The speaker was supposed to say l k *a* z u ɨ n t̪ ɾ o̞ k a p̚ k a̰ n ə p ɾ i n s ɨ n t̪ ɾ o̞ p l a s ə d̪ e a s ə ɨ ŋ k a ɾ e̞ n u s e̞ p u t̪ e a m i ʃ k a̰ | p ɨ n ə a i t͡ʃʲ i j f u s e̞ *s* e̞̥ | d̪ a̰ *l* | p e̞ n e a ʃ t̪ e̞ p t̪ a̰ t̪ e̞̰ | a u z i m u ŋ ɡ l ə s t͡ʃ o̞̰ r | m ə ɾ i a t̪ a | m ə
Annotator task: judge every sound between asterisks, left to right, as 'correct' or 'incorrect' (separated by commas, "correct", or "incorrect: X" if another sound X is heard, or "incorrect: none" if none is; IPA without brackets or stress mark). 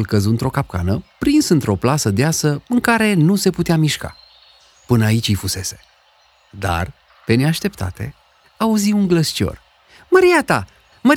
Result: incorrect: ə, correct, incorrect: r